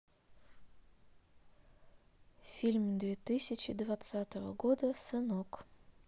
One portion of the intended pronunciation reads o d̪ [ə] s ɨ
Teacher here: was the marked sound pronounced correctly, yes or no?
yes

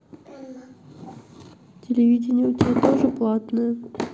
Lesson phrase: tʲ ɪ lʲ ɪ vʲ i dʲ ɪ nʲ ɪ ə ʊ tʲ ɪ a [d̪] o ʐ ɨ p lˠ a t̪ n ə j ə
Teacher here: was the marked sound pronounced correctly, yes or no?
no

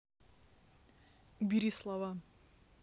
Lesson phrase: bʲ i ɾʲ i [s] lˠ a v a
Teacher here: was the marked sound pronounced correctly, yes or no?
yes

